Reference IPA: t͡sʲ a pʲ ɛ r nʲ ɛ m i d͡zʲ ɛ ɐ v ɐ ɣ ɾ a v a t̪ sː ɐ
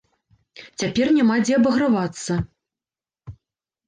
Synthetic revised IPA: t͡sʲ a pʲ ɛ r nʲ a m a d͡zʲ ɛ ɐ b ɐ ɣ ɾ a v a t̪ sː ɐ